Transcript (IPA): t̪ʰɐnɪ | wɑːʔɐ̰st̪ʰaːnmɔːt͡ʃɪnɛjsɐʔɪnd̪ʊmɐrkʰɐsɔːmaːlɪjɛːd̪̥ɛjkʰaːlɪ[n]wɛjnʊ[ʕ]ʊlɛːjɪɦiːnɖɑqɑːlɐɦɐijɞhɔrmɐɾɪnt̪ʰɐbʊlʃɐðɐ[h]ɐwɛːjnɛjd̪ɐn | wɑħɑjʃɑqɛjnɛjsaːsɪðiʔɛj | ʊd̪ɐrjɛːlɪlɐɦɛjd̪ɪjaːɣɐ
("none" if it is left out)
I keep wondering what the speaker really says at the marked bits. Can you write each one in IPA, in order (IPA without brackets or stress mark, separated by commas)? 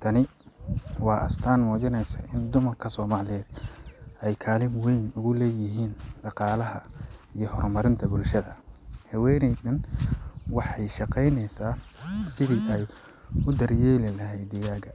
m, ɣ, h